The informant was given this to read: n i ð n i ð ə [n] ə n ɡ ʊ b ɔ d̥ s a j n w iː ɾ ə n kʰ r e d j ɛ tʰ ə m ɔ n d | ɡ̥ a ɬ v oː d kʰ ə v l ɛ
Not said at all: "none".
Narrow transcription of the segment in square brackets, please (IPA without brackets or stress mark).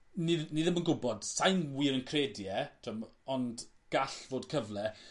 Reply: m